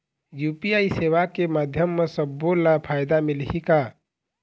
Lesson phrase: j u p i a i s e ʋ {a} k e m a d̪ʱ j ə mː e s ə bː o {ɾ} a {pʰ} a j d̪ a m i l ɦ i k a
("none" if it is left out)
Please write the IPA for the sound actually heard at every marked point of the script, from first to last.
a, l, pʰ

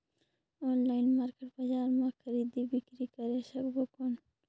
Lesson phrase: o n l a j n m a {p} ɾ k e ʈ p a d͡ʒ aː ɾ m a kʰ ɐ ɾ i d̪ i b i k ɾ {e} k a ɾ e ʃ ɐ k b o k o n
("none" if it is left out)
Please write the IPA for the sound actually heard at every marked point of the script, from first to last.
none, i

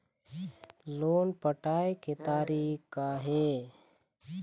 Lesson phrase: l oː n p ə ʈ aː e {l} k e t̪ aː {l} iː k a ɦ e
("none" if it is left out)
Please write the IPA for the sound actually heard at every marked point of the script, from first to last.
none, ɾ

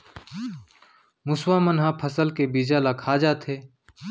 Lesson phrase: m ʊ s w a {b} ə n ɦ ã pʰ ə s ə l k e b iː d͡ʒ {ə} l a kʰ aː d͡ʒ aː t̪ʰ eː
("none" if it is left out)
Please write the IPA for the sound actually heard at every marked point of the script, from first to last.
m, a

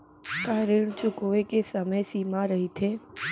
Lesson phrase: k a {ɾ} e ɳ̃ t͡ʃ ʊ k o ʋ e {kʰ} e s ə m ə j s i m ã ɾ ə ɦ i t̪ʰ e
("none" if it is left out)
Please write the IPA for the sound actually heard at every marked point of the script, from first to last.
ɾ, k

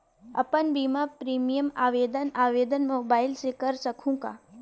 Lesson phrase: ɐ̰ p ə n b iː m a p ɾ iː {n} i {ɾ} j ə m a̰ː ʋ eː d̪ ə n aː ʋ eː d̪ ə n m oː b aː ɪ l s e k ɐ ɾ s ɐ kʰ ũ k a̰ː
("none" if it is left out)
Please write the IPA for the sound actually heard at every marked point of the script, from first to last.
m, none

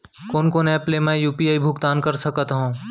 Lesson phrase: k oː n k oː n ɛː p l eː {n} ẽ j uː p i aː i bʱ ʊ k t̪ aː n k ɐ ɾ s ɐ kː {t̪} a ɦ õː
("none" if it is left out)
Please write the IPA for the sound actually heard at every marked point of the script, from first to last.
m, t̪

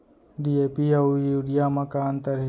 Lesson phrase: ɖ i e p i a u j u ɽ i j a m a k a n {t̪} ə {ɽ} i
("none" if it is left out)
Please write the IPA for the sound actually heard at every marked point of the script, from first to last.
t̪, ɾ

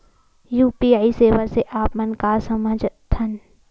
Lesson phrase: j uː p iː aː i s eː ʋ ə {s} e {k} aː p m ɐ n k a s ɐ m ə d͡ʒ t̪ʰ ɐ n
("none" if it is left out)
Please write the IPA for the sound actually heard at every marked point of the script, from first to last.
s, ʔ

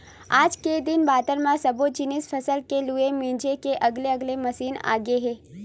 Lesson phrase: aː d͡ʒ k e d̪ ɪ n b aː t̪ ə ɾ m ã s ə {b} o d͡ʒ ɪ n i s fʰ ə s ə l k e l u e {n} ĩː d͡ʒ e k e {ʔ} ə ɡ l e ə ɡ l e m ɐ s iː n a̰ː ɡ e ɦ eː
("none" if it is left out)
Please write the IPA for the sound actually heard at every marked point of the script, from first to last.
b, m, ʔ

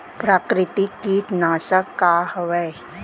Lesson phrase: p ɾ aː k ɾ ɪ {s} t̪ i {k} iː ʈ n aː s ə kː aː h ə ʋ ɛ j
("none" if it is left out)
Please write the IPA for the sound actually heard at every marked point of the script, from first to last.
none, k

